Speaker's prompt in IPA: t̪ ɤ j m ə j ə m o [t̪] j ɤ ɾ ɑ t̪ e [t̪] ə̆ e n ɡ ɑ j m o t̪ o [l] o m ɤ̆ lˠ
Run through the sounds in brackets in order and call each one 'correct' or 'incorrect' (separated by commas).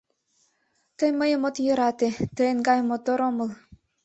correct, correct, incorrect